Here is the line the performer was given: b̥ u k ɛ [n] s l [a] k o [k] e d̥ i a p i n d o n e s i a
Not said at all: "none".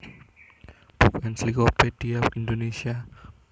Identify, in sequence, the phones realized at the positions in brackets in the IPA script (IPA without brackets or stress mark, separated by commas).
n, i, p